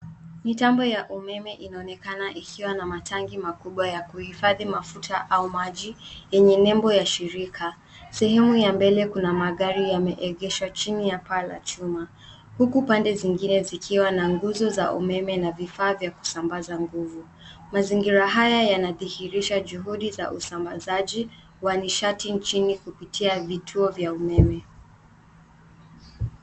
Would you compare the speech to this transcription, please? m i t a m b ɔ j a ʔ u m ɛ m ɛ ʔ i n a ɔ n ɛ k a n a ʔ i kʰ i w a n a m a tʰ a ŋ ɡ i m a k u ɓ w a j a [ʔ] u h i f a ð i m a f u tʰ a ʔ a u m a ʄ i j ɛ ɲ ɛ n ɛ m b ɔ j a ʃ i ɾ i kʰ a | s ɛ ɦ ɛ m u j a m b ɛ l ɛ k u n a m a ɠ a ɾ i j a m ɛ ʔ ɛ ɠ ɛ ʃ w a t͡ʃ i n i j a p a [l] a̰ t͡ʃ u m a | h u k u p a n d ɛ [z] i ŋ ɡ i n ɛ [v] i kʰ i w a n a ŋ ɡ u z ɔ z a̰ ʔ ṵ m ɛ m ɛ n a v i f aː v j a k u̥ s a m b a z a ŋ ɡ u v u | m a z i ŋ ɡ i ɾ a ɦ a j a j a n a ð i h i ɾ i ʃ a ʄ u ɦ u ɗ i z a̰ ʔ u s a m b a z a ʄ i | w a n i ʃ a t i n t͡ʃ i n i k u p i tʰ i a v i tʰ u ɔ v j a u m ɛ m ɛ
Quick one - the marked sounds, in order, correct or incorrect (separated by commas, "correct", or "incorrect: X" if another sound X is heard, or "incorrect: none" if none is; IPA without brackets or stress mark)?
incorrect: k, correct, correct, incorrect: z